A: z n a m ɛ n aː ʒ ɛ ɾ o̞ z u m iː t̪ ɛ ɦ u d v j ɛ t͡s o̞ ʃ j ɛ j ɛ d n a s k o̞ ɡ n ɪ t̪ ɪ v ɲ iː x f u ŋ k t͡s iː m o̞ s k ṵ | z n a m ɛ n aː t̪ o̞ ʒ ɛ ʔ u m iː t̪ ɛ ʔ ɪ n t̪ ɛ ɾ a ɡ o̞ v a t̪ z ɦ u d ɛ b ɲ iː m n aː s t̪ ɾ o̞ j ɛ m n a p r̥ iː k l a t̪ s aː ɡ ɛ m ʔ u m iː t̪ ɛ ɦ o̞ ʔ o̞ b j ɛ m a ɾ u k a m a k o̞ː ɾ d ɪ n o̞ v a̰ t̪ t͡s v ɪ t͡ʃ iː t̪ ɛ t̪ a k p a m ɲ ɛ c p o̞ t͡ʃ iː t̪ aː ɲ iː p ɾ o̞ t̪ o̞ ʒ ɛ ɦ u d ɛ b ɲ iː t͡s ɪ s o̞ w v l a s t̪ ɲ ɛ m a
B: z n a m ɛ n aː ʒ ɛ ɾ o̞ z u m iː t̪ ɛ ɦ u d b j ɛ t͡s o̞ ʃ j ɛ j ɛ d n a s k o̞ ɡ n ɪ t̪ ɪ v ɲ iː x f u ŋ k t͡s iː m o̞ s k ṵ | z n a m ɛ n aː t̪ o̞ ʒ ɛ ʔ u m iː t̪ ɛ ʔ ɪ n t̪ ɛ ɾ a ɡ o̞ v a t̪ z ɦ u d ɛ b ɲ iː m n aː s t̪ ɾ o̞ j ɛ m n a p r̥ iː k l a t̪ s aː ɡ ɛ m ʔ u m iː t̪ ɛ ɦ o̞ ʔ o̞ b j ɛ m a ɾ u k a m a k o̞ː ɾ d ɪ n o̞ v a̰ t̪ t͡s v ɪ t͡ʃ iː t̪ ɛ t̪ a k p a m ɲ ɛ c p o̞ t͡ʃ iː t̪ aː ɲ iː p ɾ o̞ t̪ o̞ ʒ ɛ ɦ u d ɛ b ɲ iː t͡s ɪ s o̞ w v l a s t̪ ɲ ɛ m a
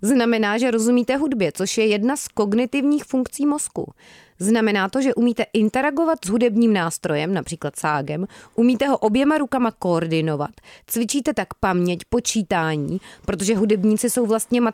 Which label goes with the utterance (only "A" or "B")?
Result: B